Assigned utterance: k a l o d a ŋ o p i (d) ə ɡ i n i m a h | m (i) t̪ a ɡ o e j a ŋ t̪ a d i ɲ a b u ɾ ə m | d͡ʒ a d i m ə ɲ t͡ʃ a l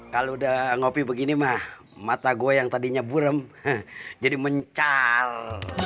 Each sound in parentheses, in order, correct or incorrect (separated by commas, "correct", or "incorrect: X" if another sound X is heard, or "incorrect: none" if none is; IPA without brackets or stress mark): incorrect: b, incorrect: a